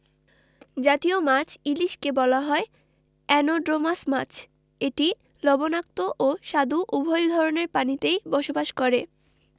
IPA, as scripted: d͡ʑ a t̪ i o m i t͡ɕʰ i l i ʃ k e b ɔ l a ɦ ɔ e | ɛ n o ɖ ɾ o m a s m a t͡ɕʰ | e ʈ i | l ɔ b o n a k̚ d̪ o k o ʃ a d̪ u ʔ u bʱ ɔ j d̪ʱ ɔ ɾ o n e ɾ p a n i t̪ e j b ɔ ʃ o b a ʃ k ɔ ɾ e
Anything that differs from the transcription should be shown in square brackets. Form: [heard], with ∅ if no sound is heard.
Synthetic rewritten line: d͡ʑ a t̪ i o m [a] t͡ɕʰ i l i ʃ k e b ɔ l a ɦ ɔ e | ɛ n o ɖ ɾ o m a s m a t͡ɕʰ | e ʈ i | l ɔ b o n a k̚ [t̪] o [ʔ] o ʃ a d̪ u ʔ u bʱ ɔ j d̪ʱ ɔ ɾ o n e ɾ p a n i t̪ e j b ɔ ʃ o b a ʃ k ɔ ɾ e